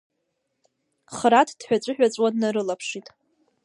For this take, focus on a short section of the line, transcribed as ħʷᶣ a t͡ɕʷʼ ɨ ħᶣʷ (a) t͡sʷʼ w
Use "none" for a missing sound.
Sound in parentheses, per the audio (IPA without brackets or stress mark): a